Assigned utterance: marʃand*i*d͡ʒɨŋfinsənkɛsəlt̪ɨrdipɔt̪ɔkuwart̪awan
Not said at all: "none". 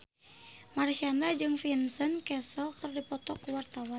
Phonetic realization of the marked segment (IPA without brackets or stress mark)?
a